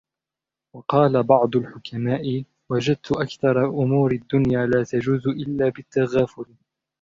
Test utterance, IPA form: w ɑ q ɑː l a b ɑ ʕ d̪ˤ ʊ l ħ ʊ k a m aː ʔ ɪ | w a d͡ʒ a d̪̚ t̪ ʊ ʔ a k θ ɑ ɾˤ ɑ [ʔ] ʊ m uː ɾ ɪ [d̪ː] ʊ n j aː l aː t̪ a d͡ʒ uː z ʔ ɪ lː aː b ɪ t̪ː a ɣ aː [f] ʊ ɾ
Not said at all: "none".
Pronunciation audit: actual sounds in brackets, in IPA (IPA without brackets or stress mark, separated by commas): ʔ, d̪ː, f